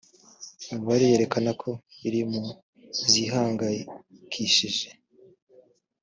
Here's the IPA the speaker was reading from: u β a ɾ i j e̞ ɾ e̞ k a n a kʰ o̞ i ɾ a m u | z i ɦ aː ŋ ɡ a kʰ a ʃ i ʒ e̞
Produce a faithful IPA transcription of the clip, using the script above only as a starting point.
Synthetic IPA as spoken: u β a ɾ i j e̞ ɾ e̞ k a n a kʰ o̞ i ɾ i m u | z i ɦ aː ŋ ɡ a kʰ i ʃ i ʒ e̞